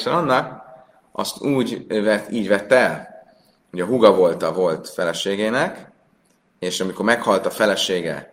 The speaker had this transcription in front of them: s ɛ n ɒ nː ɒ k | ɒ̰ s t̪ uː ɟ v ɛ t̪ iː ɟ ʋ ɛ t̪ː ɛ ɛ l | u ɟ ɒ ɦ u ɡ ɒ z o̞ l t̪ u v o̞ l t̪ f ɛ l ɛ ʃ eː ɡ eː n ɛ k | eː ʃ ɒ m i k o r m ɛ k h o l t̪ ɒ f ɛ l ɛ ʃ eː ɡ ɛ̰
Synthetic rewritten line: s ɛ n ɒ nː ɒ k | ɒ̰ s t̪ uː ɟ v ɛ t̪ iː ɟ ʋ ɛ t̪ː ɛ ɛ l | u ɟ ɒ ɦ u ɡ ɒ v o̞ l t̪ ɒ v o̞ l t̪ f ɛ l ɛ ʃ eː ɡ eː n ɛ k | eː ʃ ɒ m i k o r m ɛ k h ɒ l t̪ ɒ f ɛ l ɛ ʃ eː ɡ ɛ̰